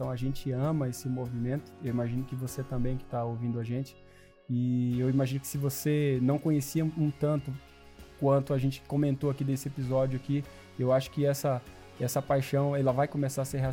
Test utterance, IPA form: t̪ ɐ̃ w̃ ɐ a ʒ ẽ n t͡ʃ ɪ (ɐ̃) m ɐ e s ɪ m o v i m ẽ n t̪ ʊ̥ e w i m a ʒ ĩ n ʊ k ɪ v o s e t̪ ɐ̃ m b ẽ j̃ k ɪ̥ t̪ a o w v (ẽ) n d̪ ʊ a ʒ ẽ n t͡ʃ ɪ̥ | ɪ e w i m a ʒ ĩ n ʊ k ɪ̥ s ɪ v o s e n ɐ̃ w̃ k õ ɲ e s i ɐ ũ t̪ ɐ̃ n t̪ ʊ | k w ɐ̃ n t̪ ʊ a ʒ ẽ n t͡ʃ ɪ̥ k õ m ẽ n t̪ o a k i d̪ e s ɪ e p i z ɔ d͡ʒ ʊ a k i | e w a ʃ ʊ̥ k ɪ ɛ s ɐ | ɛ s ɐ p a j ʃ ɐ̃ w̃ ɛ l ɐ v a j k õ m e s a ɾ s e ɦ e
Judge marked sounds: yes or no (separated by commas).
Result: yes, no